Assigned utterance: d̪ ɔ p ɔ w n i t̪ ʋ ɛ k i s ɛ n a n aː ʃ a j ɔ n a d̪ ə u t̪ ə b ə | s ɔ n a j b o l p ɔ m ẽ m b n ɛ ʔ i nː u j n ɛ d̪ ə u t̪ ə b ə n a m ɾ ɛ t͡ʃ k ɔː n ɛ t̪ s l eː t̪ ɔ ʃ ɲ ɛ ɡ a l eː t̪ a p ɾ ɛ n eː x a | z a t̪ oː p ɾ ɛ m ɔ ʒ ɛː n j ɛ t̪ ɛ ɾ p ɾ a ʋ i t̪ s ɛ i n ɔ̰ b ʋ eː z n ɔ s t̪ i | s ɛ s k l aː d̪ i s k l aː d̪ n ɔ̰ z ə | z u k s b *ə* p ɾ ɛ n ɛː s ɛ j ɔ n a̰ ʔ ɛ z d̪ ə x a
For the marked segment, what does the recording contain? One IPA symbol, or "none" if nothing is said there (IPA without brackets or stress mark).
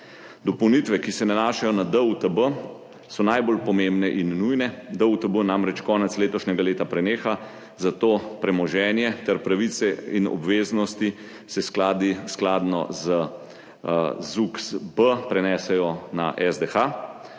ə